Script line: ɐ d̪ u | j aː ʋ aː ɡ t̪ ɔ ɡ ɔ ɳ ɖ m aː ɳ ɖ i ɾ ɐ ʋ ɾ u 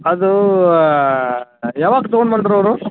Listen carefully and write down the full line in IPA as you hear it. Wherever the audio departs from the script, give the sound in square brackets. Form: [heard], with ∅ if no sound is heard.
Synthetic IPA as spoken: ɐ d̪ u | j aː ʋ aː ɡ t̪ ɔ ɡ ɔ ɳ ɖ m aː ɳ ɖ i ɾ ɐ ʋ ɾ u